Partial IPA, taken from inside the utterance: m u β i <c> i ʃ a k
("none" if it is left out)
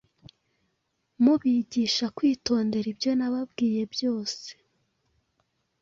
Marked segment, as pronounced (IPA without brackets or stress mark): ɟ